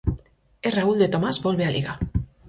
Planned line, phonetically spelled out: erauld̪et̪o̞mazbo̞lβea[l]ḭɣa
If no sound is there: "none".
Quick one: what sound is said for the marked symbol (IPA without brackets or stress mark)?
l